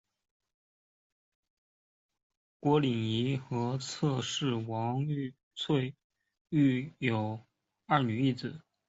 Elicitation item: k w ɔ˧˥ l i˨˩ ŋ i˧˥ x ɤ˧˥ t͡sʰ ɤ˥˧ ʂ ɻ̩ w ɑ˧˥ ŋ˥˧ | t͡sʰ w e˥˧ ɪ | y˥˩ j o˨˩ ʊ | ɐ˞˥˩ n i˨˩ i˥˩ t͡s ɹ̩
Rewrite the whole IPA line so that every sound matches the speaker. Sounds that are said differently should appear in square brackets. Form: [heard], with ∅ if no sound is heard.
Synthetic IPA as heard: k w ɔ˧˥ l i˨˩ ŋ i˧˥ x ɤ˧˥ t͡sʰ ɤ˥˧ ʂ ɻ̩ w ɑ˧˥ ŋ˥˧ | t͡sʰ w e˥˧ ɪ | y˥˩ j o˨˩ ʊ | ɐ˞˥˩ n [y˨˩] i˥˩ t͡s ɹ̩